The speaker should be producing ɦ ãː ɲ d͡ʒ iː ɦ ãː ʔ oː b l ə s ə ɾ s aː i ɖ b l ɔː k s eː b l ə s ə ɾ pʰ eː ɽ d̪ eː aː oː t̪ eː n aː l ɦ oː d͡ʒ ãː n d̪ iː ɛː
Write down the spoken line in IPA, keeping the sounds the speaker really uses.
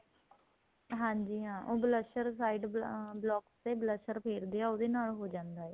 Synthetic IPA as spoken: ɦ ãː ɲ d͡ʒ iː ɦ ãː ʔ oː b l ə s ə ɾ s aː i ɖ b l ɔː k s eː b l ə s ə ɾ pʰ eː ɾ d̪ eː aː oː d̪ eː n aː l ɦ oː d͡ʒ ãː n d̪ aː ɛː